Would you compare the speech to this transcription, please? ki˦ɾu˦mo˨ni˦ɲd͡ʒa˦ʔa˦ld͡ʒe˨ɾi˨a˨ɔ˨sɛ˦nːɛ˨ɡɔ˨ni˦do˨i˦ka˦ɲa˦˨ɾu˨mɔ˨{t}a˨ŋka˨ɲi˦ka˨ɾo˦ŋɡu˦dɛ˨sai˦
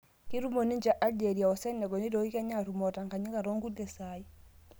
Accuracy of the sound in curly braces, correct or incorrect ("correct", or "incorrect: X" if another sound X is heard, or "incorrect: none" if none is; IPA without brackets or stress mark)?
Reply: correct